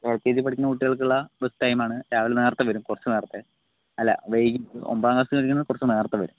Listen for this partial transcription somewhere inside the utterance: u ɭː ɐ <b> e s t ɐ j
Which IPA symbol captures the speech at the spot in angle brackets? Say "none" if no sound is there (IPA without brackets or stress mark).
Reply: b